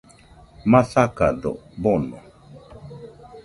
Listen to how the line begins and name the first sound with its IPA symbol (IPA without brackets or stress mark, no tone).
m